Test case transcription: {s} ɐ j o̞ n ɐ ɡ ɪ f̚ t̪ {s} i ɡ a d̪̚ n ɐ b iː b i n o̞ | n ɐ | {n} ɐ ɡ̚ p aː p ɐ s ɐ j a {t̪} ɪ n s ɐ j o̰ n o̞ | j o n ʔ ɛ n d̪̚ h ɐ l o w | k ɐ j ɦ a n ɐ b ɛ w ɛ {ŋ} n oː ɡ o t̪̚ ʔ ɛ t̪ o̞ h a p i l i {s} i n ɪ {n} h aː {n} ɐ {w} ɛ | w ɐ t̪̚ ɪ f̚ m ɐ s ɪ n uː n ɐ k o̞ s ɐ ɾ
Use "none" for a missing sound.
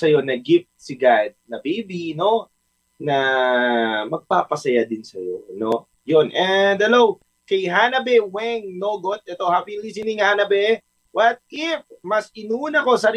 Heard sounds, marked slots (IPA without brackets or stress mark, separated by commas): s, s, m, d̪, ŋ, s, ŋ, n, b